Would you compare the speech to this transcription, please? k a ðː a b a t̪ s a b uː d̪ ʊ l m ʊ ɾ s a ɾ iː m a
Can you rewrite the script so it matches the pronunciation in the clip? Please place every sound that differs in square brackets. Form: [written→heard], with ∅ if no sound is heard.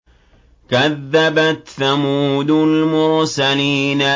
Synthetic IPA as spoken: k a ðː a b a t̪ [s→θ] a [b→m] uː d̪ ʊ l m ʊ ɾ s a [ɾ→l] iː [m→n] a